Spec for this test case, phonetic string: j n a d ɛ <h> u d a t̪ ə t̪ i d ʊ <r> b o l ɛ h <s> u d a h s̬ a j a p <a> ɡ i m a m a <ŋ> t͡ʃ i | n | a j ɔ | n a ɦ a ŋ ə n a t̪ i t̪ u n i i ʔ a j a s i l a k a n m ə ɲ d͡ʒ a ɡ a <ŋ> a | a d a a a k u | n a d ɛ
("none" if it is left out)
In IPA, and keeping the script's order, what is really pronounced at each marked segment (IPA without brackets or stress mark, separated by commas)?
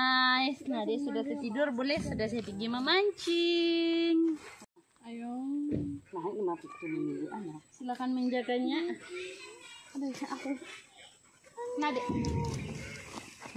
s, r, s, i, ɲ, ɲ